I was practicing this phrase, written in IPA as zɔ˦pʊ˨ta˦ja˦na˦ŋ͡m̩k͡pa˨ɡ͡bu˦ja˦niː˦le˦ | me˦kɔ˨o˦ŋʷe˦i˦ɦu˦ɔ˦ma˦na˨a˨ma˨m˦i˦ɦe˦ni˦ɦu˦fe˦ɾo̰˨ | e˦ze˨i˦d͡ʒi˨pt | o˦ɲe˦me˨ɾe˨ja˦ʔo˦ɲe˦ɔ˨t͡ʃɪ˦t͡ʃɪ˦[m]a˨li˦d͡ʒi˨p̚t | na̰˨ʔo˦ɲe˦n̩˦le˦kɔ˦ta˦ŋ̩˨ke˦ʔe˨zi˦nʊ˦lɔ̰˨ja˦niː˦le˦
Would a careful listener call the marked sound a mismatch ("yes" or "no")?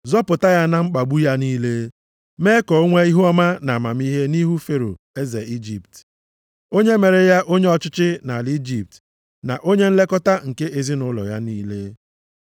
yes